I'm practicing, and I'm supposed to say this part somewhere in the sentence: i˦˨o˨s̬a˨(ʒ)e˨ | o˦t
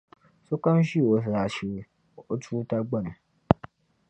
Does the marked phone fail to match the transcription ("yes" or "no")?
yes